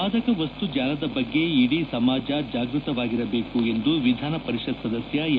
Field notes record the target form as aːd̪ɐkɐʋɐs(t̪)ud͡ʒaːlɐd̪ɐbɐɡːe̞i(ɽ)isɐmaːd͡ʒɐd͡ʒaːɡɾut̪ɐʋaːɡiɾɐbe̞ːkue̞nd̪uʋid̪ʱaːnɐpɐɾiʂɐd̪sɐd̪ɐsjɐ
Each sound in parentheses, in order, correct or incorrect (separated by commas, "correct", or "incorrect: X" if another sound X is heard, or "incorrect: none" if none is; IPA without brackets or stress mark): correct, correct